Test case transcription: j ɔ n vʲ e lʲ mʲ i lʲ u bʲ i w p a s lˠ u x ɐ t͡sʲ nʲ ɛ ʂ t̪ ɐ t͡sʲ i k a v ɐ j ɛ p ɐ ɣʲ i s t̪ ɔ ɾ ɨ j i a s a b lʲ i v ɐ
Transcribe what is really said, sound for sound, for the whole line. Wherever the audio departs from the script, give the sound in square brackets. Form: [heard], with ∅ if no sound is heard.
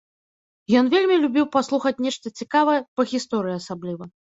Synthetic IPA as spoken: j ɔ n vʲ e lʲ mʲ i lʲ u bʲ i w p a s lˠ u x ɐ t͡sʲ nʲ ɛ ʂ t̪ ɐ t͡sʲ i k a v ɐ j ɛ p ɐ ɣʲ i s t̪ ɔ ɾ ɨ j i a s a b lʲ i v ɐ